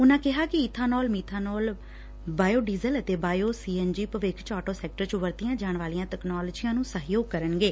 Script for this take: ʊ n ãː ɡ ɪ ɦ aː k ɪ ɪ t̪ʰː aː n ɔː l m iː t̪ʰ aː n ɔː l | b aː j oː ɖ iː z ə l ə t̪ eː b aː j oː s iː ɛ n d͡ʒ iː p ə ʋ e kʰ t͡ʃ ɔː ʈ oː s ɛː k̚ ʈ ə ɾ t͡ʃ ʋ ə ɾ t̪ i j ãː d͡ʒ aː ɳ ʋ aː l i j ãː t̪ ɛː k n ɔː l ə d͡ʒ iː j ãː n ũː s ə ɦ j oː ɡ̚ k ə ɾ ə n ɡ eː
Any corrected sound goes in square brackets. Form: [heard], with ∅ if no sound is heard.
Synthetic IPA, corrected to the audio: ʊ n ãː [k] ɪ ɦ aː k ɪ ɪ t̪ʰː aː n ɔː l m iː t̪ʰ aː n ɔː l | b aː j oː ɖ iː z ə l ə t̪ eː b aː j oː s iː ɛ n d͡ʒ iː p ə ʋ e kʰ t͡ʃ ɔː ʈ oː s ɛː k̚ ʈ ə ɾ t͡ʃ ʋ ə ɾ t̪ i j ãː d͡ʒ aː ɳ ʋ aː l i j ãː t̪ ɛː k n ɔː l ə d͡ʒ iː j ãː n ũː s ə ɦ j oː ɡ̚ k ə ɾ ə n ɡ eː